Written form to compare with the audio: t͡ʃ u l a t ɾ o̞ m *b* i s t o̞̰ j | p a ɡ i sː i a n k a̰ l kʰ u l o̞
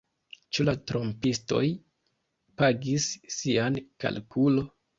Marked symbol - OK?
no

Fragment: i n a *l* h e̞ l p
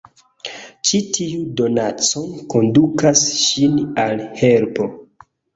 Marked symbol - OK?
yes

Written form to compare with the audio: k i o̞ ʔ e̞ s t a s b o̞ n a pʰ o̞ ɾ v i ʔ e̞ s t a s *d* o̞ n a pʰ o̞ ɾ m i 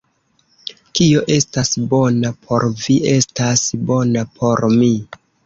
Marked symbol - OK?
no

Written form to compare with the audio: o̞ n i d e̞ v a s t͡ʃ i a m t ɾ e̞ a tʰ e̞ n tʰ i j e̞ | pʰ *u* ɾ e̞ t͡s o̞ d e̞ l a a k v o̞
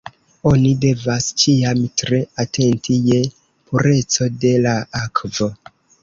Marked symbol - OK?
yes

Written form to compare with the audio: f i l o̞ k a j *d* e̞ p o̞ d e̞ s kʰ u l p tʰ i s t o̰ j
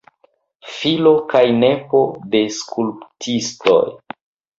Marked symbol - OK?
no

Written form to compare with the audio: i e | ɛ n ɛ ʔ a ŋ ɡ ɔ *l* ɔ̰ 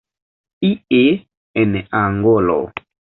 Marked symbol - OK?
yes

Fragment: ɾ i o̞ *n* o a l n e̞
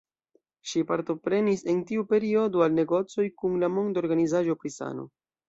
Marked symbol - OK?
no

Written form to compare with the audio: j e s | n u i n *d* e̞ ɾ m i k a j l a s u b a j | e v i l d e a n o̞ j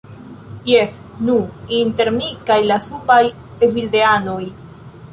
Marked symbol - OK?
no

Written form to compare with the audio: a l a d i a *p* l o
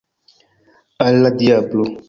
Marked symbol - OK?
no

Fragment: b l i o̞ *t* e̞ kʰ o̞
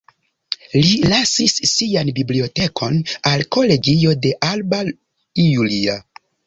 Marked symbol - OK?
yes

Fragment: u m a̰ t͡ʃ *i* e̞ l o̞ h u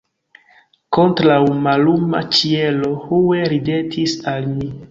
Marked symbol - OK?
yes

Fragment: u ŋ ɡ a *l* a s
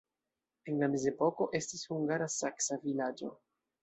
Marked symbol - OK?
no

